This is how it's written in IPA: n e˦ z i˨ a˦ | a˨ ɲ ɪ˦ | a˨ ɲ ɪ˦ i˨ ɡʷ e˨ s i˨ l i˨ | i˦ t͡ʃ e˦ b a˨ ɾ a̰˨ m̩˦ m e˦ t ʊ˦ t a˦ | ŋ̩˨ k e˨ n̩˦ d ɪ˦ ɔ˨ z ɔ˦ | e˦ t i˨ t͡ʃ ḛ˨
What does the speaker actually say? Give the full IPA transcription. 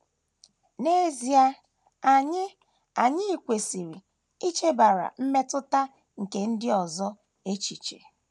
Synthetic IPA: n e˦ z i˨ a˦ | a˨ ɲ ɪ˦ | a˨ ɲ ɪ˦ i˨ kʷ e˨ s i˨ ɾ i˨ | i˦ t͡ʃ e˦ b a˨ ɾ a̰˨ m̩˦ m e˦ t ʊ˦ t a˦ | ŋ̩˨ k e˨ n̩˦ d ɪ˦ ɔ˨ z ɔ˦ | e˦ t͡ʃ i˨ t͡ʃ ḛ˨